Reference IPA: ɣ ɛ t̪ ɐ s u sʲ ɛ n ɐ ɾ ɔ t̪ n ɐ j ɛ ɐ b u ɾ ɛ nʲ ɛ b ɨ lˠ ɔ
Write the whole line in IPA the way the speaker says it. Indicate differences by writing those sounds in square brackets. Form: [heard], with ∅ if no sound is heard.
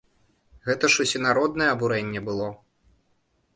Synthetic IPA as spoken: ɣ ɛ t̪ ɐ [ʂ] u sʲ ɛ n [a] ɾ ɔ [d̪] n ɐ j ɛ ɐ b u ɾ ɛ [nʲː] ɛ b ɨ lˠ ɔ